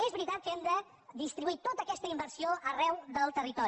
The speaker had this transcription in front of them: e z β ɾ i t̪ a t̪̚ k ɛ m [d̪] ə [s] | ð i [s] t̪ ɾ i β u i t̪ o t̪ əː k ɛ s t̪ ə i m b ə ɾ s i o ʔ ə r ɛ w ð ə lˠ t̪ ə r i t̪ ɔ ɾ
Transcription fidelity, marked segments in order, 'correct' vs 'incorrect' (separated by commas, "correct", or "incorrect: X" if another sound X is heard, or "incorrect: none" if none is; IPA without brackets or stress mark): correct, incorrect: none, correct